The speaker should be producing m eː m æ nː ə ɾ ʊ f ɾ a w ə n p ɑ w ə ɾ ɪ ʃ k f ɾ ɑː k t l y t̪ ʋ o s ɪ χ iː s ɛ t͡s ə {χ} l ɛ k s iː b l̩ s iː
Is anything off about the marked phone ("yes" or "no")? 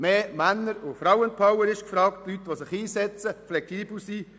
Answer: yes